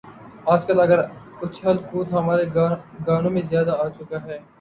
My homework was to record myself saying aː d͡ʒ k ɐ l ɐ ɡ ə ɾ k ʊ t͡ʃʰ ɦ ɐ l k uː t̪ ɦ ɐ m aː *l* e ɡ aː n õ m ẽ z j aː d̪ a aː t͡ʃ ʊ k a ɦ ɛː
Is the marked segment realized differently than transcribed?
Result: yes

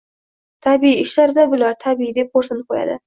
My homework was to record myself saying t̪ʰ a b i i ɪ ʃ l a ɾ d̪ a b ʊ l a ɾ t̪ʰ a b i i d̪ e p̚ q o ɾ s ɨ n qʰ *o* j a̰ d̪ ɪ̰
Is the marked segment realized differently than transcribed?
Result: no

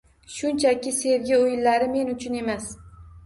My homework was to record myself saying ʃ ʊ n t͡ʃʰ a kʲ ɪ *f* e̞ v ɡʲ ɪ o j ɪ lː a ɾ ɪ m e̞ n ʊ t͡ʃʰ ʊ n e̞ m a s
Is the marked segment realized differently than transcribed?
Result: yes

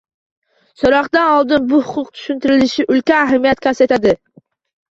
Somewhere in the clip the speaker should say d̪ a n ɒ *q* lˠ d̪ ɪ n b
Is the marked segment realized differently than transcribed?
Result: yes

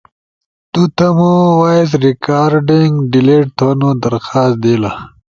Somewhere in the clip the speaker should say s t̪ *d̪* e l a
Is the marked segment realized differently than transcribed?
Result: no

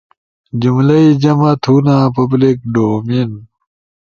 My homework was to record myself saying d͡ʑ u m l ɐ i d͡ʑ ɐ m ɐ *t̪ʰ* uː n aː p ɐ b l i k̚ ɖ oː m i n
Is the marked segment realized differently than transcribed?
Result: no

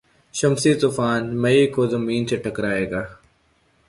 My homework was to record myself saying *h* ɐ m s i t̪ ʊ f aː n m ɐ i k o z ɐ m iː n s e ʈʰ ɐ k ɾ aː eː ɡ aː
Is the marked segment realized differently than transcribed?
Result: yes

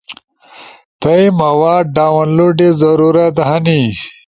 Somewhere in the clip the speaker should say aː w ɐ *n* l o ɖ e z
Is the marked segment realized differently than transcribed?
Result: no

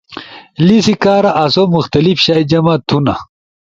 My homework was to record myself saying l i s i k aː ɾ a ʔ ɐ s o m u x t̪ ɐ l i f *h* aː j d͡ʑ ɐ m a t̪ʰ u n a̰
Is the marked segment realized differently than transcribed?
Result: yes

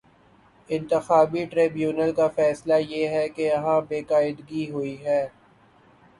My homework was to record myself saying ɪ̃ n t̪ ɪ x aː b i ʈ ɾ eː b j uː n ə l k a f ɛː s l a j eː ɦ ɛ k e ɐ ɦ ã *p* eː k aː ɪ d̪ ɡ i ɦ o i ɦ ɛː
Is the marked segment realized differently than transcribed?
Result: yes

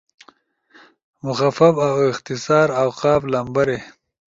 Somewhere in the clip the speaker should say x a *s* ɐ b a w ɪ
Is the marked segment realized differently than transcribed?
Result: yes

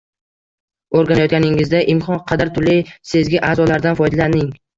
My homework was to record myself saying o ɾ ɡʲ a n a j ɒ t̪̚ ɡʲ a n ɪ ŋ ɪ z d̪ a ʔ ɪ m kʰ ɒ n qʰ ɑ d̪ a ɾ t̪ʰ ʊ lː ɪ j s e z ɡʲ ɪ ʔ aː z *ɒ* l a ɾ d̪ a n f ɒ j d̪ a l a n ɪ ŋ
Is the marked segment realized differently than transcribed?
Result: no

